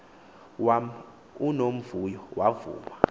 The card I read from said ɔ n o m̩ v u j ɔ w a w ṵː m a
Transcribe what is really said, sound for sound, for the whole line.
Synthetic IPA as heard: u n o m̩ v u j ɔ w a v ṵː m a